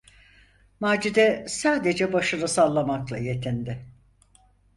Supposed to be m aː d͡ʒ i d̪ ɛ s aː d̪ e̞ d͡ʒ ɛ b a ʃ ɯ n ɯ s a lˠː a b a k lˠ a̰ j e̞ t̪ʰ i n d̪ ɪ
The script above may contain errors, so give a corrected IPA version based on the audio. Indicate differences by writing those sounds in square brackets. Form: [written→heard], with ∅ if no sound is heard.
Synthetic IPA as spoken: m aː d͡ʒ i d̪ ɛ s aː d̪ e̞ d͡ʒ ɛ b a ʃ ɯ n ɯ s a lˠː a [b→m] a k lˠ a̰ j e̞ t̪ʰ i n d̪ ɪ